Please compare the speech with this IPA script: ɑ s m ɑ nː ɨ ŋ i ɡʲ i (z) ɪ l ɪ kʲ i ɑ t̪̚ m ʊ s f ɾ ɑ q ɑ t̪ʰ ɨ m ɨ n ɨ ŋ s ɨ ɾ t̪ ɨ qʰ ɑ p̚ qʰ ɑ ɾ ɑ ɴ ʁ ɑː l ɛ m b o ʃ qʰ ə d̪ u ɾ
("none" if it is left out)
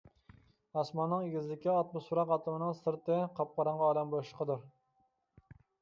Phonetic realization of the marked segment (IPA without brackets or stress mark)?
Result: z